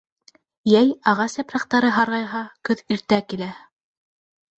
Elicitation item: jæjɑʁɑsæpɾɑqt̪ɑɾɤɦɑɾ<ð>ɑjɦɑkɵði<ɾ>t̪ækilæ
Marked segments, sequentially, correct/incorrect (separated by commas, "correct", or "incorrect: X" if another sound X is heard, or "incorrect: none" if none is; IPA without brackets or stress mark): incorrect: ʁ, correct